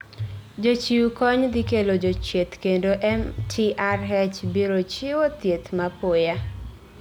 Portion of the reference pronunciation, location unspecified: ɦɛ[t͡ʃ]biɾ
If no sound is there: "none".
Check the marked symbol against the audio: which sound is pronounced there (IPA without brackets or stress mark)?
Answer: t͡ʃ